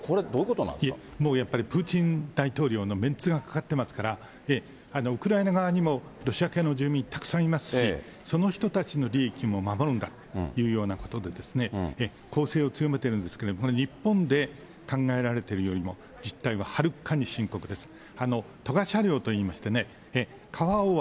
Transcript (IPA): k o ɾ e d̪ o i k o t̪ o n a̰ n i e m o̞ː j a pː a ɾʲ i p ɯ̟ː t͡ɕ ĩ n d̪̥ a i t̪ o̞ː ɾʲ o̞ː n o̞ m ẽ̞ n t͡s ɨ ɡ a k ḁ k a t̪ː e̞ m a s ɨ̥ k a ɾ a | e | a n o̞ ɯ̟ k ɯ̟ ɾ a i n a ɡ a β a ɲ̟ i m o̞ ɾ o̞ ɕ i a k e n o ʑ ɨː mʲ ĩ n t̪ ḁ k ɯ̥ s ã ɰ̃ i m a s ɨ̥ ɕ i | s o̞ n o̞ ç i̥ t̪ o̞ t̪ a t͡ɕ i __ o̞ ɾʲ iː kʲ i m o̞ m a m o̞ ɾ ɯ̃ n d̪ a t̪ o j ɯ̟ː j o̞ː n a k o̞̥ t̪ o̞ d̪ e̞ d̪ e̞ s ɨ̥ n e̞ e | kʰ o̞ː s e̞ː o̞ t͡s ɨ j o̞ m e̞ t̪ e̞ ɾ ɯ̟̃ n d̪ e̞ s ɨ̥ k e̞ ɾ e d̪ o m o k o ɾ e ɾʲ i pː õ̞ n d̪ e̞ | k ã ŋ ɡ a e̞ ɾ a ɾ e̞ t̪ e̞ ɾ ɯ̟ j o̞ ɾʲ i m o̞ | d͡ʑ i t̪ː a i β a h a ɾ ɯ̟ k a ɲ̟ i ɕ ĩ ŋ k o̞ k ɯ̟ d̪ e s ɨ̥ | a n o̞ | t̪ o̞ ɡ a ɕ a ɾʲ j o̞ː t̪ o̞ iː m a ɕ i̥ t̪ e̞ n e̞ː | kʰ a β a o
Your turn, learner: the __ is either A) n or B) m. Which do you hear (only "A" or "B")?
A